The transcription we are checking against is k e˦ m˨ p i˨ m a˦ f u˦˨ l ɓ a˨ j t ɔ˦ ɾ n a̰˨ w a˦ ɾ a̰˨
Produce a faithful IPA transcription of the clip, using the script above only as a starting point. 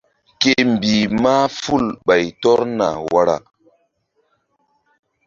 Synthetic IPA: k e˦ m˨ b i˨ m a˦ f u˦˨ l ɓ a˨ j t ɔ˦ ɾ n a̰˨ w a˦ ɾ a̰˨